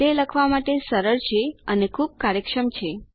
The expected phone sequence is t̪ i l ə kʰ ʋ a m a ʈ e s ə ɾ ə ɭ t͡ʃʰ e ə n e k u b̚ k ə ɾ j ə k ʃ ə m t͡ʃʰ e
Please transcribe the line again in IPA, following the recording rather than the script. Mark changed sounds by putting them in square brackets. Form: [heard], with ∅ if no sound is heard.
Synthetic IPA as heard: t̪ [e] l ə kʰ ʋ a m a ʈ e s ə ɾ ə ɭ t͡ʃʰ e ə n e [kʰ] u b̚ k [a] ɾ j ə k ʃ ə m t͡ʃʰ e